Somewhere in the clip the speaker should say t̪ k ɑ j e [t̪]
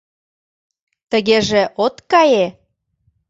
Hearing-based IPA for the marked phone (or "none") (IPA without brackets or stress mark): none